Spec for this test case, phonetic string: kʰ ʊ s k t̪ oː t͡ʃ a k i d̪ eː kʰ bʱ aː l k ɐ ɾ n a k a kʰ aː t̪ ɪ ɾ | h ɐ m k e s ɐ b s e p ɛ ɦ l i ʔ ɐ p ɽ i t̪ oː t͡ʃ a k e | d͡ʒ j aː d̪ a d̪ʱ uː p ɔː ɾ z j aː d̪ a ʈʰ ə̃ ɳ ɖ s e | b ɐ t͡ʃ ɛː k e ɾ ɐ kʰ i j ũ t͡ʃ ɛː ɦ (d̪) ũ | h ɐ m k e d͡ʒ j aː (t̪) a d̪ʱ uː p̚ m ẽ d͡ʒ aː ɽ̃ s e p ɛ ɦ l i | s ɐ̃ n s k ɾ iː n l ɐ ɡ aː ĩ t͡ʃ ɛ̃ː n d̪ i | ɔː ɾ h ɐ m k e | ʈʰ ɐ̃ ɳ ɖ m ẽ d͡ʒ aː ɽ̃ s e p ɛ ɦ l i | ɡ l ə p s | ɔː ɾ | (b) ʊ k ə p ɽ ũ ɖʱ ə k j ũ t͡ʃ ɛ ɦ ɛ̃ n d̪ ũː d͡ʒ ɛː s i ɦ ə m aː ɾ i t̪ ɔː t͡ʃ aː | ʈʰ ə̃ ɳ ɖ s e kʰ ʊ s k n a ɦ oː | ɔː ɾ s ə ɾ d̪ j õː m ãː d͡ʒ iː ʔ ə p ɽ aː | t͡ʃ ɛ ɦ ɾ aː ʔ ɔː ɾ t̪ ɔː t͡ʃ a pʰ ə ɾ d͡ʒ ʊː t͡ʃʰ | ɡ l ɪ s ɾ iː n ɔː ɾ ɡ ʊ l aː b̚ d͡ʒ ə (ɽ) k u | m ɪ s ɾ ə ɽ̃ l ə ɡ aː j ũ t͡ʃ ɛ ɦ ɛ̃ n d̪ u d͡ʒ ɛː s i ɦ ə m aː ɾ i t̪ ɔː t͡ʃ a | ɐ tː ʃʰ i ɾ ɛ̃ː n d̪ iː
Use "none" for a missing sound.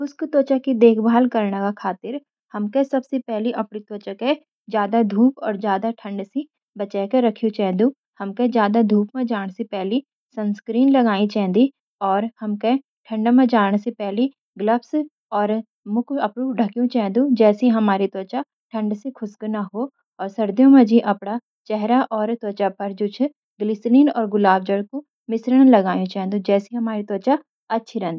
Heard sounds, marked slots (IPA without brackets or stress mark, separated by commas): d̪, d̪, m, ɽ